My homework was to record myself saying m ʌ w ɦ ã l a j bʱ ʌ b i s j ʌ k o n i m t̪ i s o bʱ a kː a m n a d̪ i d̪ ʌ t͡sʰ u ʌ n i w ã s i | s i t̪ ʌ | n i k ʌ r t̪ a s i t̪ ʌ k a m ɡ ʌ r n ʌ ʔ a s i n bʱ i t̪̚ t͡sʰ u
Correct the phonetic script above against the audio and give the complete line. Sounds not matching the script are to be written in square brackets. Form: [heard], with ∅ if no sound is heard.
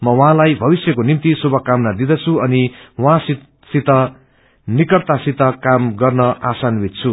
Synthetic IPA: m ʌ w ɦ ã l a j bʱ ʌ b i s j ʌ k o n i m t̪ i s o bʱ [ʌ] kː a m n a d̪ i d̪ ʌ t͡sʰ u ʌ n i w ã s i | s i t̪ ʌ | n i k ʌ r t̪ a s i t̪ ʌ k a m ɡ ʌ r n ʌ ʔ a s [a] n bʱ i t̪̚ t͡sʰ u